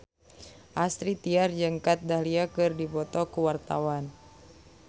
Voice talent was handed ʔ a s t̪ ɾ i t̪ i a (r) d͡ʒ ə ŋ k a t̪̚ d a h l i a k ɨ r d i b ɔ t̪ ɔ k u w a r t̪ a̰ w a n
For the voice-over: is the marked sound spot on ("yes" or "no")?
yes